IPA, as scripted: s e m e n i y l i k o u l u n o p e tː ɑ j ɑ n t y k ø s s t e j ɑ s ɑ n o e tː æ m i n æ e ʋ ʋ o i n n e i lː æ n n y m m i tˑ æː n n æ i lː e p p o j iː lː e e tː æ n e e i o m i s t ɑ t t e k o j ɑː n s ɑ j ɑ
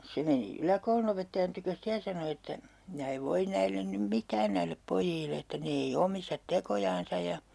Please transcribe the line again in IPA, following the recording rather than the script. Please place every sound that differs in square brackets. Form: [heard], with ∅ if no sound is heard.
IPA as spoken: s e m e n i y l [æ] k o u l u n o p e tː ɑ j ɑ n t y k ø s s t e j ɑ s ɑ n o e tː æ m i n æ e ʋ ʋ o i n n [æ] i lː [e] n n y m m i tˑ æː n n æ i lː e p p o j iː lː e e tː æ n e e i o m i s t ɑ t t e k o j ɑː n s ɑ j ɑ